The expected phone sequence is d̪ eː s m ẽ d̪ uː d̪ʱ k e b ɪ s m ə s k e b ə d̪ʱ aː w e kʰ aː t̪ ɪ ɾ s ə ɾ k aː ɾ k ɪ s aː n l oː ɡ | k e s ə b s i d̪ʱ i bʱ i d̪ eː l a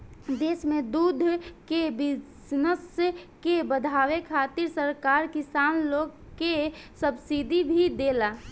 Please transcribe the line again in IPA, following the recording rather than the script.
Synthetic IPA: d̪ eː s m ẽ d̪ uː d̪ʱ k e b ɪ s n ə s k e b ə d̪ʱ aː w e kʰ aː t̪ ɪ ɾ s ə ɾ k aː ɾ k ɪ s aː n l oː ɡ | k e s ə b s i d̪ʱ i bʱ i d̪ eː l a